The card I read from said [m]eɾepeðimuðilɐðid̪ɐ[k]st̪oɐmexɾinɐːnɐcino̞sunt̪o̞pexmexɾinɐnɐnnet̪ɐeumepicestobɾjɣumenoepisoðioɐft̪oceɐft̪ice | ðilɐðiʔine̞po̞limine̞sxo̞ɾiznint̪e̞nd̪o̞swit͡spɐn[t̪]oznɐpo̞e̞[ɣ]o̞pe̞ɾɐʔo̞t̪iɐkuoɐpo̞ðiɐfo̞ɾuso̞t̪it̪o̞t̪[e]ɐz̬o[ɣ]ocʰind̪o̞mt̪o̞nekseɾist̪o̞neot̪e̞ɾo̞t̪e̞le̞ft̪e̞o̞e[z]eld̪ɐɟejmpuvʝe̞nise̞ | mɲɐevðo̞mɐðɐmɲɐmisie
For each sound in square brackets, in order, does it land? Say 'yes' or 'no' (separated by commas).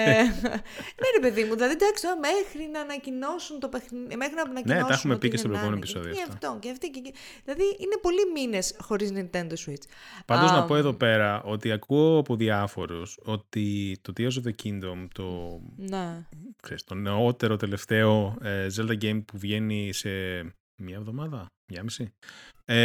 no, yes, no, no, no, no, yes